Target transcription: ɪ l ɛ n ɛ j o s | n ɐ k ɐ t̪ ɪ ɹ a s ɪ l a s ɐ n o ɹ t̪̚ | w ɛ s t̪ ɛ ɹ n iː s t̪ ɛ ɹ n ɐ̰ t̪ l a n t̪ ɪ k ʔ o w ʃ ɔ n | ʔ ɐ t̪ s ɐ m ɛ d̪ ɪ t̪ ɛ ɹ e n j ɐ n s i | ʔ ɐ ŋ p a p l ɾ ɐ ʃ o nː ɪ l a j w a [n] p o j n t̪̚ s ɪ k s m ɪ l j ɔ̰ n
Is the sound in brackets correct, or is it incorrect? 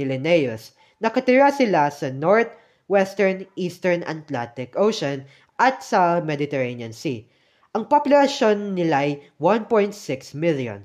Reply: correct